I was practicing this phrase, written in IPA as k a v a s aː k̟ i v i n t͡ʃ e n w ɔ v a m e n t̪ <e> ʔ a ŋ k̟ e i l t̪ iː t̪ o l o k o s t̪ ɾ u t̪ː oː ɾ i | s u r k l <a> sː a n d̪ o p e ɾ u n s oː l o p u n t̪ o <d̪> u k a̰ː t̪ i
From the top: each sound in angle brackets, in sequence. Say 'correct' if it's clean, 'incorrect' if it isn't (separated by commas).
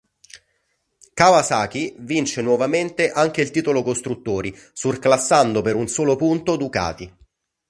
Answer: correct, correct, correct